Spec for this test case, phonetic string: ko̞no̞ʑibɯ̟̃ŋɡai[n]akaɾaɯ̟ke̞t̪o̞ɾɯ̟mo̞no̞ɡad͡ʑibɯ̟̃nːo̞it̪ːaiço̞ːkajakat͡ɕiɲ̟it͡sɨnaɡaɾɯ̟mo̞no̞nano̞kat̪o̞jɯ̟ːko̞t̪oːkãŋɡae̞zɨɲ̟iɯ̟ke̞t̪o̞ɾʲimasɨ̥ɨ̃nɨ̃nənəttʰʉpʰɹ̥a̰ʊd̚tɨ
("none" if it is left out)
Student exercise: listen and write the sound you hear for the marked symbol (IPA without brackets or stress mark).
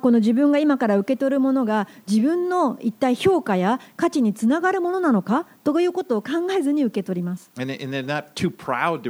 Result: m